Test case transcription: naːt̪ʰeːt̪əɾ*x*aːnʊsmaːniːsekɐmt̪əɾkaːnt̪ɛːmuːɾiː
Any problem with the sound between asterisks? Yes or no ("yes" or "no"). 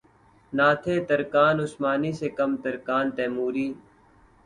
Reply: yes